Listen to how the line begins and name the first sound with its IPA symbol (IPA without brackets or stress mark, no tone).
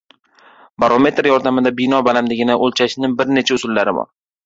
b